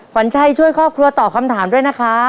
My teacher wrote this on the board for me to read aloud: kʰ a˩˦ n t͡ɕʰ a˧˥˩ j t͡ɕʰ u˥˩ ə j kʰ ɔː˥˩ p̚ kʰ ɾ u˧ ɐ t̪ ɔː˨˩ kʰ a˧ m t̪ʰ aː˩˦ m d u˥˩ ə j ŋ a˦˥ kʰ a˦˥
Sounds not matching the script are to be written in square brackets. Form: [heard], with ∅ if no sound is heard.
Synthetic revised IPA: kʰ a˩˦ n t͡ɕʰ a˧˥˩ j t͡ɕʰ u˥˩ ə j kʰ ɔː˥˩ p̚ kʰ ɾ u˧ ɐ t̪ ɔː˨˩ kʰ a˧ m t̪ʰ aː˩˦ m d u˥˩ ə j [n] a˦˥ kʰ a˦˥